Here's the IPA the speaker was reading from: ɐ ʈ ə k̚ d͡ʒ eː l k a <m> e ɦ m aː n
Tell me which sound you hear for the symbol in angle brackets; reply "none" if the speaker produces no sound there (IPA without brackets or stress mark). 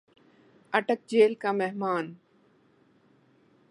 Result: m